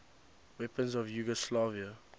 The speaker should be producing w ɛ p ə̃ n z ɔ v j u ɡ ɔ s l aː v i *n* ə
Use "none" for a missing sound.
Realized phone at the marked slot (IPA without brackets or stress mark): none